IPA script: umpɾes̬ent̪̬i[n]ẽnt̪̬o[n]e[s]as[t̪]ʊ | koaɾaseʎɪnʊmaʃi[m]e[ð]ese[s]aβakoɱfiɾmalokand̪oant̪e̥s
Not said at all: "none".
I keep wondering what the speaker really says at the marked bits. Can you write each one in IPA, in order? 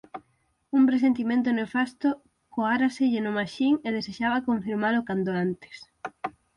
m, n, f, t̪, ŋ, ð, ʃ

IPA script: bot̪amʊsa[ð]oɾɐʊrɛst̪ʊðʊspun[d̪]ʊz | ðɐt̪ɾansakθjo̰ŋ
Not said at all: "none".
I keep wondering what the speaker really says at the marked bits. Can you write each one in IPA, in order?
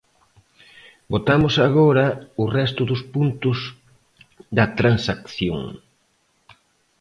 ɣ, t̪

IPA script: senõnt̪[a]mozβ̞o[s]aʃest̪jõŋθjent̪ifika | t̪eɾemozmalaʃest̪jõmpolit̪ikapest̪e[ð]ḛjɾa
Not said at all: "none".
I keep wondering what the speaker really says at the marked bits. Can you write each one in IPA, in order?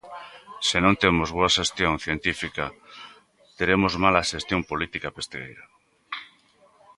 e, none, ɣ

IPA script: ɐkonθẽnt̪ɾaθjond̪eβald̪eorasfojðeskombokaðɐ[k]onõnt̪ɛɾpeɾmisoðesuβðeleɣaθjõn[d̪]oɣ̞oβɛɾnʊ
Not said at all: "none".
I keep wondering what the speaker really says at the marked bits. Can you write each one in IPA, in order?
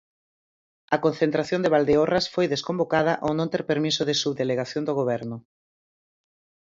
ʔ, d̪

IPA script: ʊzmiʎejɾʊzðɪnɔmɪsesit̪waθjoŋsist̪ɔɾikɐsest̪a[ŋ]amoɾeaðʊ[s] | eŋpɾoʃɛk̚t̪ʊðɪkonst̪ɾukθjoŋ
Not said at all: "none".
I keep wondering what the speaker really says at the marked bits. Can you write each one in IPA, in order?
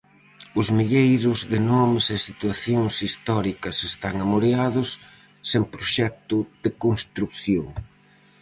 ŋ, sː

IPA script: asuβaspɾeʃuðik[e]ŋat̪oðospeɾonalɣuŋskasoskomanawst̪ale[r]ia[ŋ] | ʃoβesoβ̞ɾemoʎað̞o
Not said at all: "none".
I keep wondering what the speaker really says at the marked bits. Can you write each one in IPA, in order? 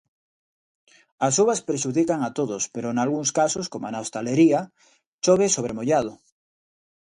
a, ɾ, none

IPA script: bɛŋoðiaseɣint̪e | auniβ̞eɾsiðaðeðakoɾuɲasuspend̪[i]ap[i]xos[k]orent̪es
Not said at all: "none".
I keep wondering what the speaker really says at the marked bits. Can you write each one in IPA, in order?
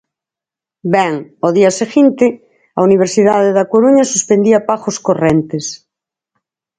i, a, k

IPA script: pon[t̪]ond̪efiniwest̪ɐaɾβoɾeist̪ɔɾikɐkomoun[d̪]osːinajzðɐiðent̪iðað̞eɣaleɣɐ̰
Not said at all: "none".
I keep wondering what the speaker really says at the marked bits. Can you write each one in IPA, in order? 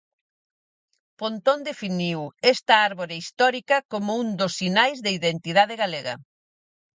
t̪, d̪

